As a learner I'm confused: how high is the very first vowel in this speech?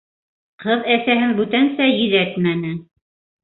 mid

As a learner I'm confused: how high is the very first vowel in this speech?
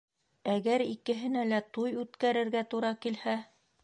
low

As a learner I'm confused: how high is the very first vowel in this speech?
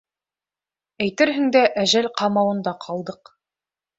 low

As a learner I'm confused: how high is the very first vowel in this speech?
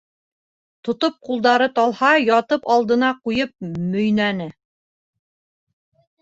mid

